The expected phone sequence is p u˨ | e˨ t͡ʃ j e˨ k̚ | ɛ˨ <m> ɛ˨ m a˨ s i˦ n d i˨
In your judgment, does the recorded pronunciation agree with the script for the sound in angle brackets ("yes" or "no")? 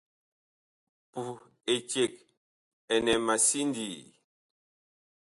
no